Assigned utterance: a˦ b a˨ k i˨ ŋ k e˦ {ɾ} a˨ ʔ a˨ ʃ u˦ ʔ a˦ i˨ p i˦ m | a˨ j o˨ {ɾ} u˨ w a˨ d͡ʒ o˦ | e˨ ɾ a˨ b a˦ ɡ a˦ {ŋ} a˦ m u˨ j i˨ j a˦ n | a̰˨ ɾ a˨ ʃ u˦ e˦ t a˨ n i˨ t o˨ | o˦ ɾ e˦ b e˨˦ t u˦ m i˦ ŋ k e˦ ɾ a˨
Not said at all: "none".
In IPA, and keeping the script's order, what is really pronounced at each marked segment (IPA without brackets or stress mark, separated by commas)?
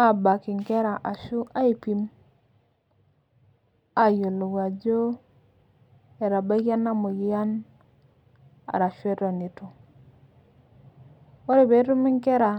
ɾ, l, n